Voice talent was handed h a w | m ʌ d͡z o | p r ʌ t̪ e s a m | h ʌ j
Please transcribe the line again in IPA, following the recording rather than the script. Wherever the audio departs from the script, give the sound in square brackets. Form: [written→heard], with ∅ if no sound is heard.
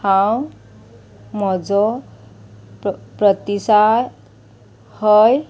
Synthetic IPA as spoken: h a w | m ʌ d͡z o | p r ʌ t̪ [e→i] s a [m→∅] | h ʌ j